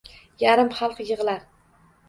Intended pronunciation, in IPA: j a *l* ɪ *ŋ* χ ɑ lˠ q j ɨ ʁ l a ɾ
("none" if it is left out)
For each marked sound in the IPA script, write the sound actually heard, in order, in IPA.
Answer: ɾ, m

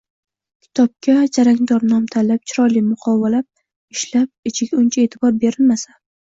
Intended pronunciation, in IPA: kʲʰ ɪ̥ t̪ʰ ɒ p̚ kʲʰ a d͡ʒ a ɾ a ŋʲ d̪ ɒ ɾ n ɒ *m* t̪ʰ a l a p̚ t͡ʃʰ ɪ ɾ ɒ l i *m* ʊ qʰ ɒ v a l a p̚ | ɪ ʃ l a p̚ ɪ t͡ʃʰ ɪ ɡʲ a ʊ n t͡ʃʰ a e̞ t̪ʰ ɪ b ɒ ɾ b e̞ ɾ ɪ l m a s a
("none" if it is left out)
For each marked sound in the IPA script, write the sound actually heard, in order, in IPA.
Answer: m, m

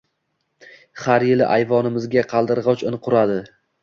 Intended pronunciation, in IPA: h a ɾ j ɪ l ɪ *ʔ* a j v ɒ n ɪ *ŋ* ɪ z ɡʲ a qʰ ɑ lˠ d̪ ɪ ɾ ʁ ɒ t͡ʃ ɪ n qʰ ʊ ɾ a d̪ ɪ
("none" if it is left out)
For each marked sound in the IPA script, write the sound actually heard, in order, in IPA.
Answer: ʔ, m

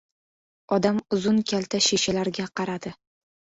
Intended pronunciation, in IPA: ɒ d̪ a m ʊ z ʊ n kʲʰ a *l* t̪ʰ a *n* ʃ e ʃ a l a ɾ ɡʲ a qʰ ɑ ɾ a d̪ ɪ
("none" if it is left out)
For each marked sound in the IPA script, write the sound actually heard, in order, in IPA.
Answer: l, none

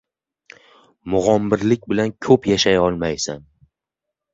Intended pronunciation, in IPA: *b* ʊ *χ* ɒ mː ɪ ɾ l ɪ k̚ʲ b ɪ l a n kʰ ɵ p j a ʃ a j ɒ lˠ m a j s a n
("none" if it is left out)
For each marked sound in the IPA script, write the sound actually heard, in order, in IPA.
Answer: m, ʁ

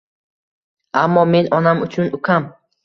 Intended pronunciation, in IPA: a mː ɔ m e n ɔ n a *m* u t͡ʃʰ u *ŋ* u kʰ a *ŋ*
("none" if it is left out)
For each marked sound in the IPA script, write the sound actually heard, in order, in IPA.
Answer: m, n, m

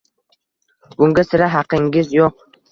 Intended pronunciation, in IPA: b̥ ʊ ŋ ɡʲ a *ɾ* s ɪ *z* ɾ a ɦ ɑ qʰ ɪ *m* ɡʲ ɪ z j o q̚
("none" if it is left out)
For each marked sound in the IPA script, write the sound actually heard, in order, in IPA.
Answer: none, none, ŋ

